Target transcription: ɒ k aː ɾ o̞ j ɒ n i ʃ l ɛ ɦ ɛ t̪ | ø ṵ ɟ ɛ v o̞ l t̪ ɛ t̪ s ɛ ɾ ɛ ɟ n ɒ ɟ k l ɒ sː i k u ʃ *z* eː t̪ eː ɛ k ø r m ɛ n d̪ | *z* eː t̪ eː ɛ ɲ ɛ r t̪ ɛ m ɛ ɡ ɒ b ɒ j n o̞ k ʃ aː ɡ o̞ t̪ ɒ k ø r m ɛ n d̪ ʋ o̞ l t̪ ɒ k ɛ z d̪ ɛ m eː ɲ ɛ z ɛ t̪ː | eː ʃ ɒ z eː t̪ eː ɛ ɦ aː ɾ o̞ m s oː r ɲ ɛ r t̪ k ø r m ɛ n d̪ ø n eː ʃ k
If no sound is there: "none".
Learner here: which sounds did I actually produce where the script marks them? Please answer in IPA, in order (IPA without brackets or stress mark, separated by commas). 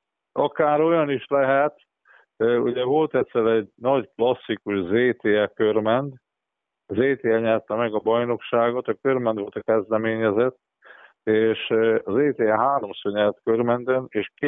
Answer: z, z